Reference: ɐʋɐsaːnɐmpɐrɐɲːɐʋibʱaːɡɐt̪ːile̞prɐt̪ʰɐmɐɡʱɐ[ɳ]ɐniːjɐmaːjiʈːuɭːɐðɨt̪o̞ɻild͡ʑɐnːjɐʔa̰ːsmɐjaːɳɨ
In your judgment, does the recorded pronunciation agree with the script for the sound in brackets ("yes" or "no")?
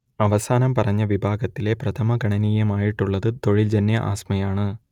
yes